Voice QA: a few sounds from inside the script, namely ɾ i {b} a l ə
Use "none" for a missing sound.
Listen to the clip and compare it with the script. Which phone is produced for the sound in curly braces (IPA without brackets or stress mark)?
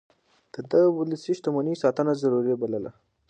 b